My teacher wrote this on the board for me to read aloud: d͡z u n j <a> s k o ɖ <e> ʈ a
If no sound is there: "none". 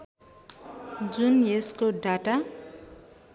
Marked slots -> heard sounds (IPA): e, a

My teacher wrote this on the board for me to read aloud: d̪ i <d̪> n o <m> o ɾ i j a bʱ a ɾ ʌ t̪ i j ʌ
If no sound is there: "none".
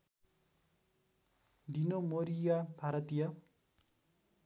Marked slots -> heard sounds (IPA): none, m

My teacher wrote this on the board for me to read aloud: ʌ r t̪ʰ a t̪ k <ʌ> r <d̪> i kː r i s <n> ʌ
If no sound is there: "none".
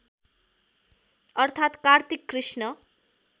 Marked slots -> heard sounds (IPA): a, t̪, n

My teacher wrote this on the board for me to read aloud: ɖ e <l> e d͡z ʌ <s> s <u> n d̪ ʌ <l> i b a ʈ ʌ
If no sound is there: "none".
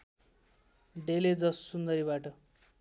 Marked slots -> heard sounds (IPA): l, s, u, ɾ

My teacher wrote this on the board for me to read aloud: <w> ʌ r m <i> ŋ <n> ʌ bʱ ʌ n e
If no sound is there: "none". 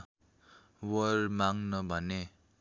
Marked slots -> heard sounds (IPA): w, a, n

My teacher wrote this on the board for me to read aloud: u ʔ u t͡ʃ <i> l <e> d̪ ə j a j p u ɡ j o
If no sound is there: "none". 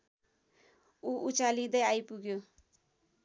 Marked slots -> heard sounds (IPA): a, i

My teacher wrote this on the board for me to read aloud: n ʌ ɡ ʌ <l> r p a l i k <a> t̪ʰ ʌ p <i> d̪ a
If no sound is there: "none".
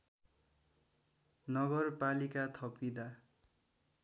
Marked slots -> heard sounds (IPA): none, a, i

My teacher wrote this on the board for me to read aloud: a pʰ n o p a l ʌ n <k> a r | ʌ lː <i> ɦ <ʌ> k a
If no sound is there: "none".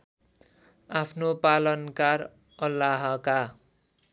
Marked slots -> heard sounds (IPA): k, a, ʌ

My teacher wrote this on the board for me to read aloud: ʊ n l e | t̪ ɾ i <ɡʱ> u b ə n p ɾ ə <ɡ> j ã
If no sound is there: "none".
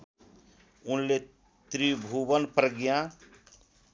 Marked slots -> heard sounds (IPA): bʱ, ɡ

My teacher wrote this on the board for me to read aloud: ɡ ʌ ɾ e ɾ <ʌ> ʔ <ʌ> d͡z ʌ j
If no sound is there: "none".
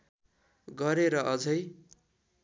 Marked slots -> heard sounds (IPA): ʌ, ʌ

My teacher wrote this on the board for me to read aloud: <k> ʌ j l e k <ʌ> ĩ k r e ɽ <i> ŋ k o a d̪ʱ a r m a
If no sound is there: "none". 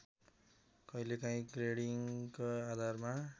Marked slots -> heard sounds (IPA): k, a, i

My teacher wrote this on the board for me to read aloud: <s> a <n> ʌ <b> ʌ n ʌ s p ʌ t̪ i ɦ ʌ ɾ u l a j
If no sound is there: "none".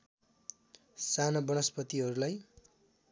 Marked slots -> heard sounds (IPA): s, n, b

